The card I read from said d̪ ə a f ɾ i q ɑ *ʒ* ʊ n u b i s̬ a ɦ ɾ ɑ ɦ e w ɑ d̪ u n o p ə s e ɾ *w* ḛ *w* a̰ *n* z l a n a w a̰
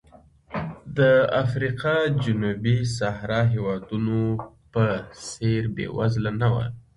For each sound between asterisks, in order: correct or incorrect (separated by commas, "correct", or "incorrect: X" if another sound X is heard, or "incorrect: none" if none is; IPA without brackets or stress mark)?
incorrect: d͡ʒ, incorrect: b, correct, incorrect: none